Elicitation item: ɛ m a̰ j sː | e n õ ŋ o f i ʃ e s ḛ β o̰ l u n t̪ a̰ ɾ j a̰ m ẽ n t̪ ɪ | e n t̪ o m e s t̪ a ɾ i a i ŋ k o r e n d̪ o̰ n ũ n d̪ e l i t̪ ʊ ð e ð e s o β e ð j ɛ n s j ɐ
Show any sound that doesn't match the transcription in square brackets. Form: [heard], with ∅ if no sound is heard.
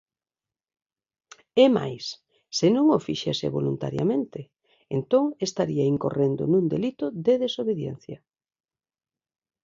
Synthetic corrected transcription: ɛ m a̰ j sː | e n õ ŋ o f i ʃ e s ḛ β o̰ l u n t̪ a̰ ɾ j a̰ m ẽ n t̪ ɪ | e n t̪ o [ŋ] e s t̪ a ɾ i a i ŋ k o r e n d̪ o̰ n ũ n d̪ e l i t̪ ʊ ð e ð e s o β e ð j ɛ n [θ] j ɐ